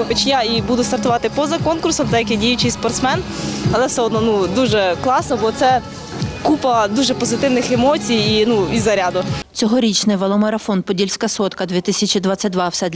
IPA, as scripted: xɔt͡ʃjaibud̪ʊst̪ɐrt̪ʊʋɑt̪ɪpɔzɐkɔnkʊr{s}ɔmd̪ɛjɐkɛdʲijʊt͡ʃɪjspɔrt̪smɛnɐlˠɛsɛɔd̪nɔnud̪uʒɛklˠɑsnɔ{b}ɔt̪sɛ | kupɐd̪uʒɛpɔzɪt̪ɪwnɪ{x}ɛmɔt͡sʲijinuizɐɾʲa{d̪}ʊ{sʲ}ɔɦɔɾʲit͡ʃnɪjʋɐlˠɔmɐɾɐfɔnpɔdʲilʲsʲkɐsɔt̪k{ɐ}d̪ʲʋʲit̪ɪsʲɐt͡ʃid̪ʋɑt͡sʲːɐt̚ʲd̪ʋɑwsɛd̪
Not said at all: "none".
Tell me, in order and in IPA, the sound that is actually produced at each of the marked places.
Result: s, b, x, d̪, t͡sʲ, ɐ

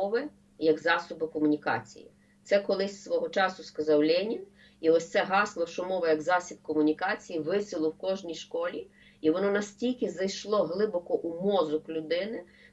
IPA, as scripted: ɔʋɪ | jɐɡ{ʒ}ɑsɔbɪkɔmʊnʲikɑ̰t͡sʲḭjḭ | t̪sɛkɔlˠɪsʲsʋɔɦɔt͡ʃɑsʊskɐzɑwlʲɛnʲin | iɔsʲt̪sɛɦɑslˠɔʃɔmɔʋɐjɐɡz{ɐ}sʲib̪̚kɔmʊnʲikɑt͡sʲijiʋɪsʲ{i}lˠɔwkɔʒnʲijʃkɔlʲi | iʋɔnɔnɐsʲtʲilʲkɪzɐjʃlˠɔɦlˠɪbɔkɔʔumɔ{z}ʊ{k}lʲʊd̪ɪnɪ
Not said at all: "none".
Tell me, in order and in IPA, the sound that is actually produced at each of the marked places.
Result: z, ɑ, ɪ, z, k

